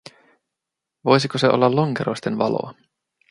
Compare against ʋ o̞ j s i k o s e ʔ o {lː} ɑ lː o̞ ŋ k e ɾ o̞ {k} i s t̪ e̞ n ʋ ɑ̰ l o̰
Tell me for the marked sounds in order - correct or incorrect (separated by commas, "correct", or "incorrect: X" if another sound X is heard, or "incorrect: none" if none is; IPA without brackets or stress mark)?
correct, incorrect: none